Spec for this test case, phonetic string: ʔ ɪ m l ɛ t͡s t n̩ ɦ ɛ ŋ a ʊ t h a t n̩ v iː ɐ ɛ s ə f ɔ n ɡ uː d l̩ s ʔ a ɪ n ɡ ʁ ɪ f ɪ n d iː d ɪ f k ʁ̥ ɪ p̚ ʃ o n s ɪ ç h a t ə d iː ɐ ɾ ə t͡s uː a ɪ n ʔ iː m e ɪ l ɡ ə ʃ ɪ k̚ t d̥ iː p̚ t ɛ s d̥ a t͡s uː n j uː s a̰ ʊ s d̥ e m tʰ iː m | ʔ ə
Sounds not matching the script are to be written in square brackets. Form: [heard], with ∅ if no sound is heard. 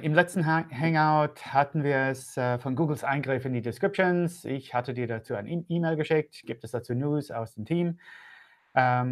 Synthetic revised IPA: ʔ ɪ m l ɛ t͡s t n̩ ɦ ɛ ŋ a ʊ t h a t n̩ v iː ɐ ɛ s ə f ɔ n ɡ uː [ɡ] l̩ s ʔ a ɪ n ɡ ʁ ɪ f ɪ n d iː d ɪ [s] k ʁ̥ ɪ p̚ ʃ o n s ɪ ç h a t ə d iː ɐ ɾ [a] t͡s uː a ɪ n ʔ iː m e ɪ l ɡ ə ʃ ɪ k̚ t [ɡ̥] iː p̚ t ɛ s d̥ a t͡s uː n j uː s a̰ ʊ s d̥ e m tʰ iː m | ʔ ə